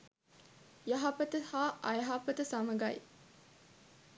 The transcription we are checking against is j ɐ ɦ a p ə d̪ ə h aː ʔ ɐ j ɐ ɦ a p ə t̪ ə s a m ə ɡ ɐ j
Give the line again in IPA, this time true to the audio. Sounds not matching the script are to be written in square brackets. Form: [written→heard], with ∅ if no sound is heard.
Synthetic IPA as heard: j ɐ ɦ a p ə [d̪→t̪] ə h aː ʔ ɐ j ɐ ɦ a p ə t̪ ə s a m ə ɡ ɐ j